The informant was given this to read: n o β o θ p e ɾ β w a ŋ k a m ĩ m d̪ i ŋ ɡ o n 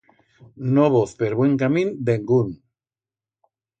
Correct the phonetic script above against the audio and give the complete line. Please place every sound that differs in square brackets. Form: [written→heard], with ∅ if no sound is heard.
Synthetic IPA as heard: n o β o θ p e ɾ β w [a→e] ŋ k a m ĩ [m→n] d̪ [i→e] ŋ ɡ [o→u] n